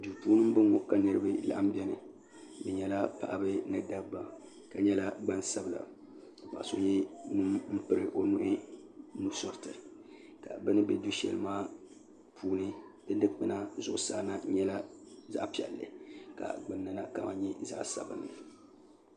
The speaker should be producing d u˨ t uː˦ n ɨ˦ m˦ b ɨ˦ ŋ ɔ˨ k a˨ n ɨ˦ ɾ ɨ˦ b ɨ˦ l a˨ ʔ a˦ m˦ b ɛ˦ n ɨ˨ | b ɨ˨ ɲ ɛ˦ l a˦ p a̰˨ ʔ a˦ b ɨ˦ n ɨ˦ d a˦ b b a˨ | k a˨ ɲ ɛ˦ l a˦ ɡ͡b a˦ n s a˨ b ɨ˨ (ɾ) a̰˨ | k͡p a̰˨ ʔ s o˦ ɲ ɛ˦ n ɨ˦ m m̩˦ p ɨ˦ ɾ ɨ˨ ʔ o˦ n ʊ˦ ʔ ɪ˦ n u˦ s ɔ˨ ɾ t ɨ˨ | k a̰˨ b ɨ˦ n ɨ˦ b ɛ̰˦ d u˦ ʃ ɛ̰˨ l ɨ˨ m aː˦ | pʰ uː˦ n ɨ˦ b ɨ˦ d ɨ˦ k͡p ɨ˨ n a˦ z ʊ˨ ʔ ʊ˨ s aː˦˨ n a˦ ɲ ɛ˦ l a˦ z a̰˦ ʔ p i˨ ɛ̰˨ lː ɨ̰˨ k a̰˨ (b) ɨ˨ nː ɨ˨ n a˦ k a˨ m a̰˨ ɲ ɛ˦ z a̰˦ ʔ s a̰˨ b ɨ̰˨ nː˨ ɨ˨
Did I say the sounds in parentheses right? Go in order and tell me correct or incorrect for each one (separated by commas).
incorrect, incorrect